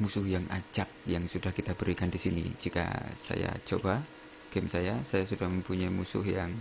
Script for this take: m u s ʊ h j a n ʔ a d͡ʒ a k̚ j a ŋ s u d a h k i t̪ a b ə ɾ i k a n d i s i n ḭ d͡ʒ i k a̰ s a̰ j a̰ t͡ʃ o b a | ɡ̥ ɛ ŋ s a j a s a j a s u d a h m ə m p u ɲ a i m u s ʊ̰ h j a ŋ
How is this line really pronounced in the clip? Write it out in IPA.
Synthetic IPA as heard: m u s ʊ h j a ŋ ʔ a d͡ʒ a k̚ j a ŋ s u d a h k i t̪ a b ə ɾ i k a n d i s i n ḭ d͡ʒ i k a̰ s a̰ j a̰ t͡ʃ o b a | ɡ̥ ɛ m s a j a s a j a s u d a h m ə m p u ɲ a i m u s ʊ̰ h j a ŋ